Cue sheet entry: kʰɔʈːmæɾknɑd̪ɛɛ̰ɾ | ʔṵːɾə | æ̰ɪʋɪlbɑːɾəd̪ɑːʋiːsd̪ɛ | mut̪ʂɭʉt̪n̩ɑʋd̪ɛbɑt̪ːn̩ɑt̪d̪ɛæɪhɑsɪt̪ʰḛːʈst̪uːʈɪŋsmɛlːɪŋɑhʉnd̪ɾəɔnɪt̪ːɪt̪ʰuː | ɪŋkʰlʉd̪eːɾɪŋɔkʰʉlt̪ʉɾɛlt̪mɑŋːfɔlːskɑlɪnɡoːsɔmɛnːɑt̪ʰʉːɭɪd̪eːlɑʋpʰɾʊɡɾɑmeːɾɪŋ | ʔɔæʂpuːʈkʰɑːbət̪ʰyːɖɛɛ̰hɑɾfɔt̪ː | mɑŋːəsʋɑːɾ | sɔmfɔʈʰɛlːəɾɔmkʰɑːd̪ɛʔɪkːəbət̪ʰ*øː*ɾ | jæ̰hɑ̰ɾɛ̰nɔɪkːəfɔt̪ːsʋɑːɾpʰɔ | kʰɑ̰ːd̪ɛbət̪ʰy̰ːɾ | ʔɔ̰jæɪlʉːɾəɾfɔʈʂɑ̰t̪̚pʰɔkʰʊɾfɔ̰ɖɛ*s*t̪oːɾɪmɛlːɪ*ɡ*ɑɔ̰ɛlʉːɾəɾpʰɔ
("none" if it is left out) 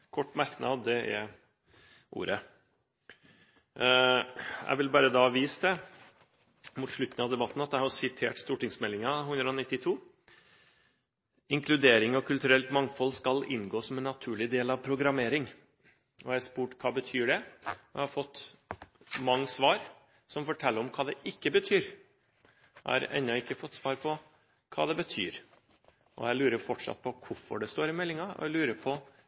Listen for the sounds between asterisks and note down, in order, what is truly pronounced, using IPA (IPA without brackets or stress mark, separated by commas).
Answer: yː, s, ŋ